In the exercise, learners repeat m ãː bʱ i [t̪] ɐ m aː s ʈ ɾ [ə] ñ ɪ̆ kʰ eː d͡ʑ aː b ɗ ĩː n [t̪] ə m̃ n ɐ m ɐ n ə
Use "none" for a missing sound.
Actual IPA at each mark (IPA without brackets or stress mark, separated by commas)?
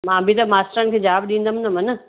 t̪, ə, d̪